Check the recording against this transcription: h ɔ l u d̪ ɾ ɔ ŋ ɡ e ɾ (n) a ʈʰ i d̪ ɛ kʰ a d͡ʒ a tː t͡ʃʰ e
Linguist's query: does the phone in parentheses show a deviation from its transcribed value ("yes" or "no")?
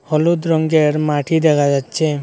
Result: yes